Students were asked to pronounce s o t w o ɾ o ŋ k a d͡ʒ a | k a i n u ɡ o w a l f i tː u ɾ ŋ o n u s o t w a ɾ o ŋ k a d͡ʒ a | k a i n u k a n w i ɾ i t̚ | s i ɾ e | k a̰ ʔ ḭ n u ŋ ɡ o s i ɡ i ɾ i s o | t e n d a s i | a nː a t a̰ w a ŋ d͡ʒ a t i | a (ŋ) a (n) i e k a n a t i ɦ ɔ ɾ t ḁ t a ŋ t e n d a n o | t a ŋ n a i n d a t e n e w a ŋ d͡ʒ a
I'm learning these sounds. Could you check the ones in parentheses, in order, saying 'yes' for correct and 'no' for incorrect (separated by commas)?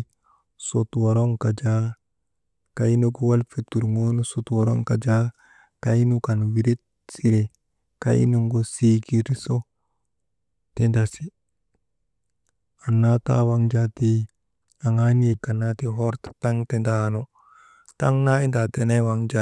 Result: yes, yes